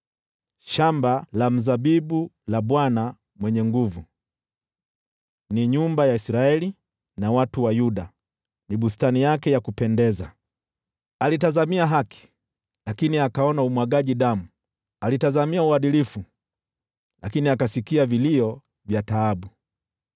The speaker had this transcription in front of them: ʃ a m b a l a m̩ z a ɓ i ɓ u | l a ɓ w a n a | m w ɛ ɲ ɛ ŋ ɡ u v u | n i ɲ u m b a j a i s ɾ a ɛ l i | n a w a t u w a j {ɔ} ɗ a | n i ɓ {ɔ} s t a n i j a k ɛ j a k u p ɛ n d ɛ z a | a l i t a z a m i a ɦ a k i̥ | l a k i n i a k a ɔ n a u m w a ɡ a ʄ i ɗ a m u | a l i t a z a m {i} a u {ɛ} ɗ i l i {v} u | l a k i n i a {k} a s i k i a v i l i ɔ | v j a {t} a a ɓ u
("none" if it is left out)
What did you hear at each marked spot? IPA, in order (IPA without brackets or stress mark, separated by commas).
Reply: u, u, i, a, f, k, t